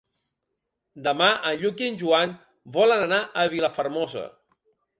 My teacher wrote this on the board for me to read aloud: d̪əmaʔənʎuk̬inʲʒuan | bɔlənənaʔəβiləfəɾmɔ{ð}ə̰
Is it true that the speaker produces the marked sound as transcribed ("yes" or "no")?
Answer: no